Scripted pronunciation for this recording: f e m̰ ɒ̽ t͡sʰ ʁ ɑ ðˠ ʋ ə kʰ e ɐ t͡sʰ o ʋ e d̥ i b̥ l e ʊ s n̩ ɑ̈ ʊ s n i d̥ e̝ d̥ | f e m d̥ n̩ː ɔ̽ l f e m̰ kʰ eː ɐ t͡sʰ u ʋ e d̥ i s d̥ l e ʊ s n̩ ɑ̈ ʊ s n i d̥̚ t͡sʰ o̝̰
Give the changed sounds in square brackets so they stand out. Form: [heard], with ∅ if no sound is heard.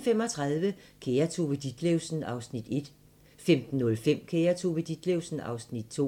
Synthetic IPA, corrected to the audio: f e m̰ ɒ̽ t͡sʰ ʁ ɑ ðˠ ʋ ə kʰ e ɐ t͡sʰ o ʋ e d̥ i [d̥] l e ʊ s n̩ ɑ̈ ʊ s n i d̥ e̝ d̥ | f e m d̥ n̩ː ɔ̽ l f e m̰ kʰ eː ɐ t͡sʰ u ʋ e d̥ i [∅] d̥ l e ʊ s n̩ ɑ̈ ʊ s n i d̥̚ t͡sʰ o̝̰